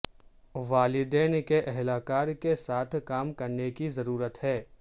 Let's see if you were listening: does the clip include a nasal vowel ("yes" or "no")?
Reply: no